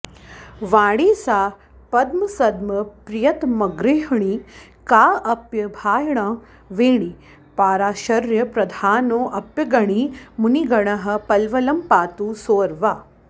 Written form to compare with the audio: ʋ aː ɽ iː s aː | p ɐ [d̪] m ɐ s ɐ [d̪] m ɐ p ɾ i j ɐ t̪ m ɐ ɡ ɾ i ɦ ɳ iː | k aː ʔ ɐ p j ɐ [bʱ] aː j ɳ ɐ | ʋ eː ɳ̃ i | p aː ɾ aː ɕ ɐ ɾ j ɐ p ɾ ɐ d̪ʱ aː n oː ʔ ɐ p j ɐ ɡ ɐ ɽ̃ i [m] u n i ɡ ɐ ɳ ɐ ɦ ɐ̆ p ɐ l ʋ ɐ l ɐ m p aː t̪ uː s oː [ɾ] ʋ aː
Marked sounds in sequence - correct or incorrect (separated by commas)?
correct, correct, correct, correct, correct